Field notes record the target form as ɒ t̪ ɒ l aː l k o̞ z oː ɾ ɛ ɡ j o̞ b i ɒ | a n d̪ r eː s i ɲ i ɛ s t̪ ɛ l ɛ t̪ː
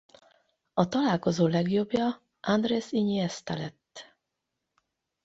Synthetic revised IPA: ɒ t̪ ɒ l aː l k o̞ z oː l ɛ ɡ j o̞ b j ɒ | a n d̪ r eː s i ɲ i ɛ s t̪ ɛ l ɛ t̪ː